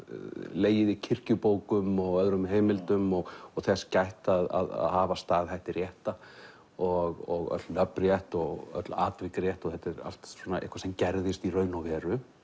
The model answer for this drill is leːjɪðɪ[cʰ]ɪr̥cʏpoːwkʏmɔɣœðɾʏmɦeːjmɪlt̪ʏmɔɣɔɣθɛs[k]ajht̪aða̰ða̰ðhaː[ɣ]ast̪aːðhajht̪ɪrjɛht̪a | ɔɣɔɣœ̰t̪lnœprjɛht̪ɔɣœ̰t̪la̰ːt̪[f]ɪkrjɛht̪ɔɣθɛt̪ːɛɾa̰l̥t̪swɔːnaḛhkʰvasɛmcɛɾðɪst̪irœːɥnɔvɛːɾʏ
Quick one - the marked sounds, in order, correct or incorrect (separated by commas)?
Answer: correct, incorrect, incorrect, incorrect